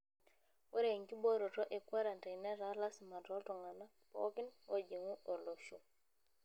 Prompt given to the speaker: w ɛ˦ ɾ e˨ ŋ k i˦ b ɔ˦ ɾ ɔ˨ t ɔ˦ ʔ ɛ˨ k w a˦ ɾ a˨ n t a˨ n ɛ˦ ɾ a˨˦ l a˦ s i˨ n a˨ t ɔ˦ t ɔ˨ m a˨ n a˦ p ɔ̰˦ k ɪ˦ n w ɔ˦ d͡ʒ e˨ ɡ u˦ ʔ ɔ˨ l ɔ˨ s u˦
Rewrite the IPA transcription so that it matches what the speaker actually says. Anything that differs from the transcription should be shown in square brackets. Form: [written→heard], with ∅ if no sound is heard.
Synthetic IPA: w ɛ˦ ɾ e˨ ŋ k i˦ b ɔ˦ ɾ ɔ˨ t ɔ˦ ʔ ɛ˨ k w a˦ ɾ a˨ n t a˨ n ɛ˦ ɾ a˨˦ l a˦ s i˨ [n→m] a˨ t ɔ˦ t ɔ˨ [m→ŋ] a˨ n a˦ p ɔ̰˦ k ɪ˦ n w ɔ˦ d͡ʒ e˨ [ɡ→ŋ] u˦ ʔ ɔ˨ l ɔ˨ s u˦